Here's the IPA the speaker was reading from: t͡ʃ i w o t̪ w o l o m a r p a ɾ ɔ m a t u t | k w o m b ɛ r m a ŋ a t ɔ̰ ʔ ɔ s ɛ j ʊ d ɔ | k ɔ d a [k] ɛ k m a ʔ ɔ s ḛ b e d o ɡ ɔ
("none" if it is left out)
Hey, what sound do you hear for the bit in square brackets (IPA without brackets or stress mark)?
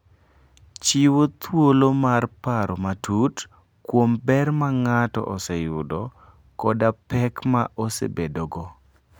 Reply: p